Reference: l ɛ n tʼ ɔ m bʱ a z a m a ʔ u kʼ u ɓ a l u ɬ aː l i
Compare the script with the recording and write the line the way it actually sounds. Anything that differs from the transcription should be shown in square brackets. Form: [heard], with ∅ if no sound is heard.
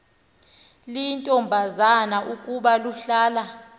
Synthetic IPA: l [i] n tʼ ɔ m bʱ a z a [n] a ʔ u kʼ u ɓ a l u ɬ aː l [a]